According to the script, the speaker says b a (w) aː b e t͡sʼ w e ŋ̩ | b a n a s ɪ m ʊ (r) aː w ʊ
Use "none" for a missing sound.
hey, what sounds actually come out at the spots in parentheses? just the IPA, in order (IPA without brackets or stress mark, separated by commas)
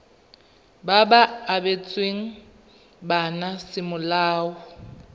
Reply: b, l